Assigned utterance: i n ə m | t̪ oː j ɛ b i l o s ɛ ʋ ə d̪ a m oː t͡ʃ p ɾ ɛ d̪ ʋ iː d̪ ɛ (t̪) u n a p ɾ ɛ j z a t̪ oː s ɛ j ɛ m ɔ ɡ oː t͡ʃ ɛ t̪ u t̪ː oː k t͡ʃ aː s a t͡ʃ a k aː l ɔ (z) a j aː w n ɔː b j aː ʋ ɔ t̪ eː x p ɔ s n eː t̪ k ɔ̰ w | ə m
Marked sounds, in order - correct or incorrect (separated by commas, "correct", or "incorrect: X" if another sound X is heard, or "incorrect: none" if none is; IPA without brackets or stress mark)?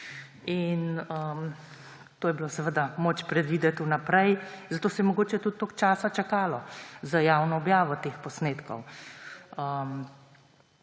correct, correct